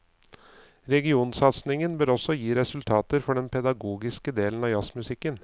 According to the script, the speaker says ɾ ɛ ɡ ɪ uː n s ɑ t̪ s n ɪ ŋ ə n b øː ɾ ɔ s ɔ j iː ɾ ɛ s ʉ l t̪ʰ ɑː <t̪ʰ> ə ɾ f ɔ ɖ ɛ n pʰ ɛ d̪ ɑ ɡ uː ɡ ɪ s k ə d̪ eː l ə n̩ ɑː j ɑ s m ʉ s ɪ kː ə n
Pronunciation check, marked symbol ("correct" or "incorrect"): incorrect